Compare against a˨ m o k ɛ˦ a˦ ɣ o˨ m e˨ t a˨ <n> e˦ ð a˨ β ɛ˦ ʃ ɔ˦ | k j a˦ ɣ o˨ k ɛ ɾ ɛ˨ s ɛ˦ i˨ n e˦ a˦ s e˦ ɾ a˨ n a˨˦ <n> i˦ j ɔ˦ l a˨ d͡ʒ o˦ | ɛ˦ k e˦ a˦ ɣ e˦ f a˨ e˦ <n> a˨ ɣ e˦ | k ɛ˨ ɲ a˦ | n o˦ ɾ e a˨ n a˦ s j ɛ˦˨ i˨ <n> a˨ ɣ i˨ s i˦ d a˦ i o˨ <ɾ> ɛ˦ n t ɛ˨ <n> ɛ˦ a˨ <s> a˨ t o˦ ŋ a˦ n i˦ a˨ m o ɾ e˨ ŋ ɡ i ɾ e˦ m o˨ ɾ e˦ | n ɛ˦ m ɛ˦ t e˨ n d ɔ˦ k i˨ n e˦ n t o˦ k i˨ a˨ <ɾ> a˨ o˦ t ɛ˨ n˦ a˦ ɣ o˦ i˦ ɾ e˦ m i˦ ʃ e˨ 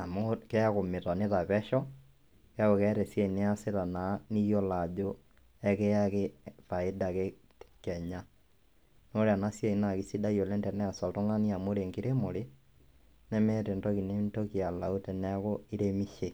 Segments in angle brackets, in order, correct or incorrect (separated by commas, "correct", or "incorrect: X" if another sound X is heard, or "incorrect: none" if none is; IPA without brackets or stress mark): correct, correct, incorrect: d, correct, incorrect: l, correct, correct, incorrect: l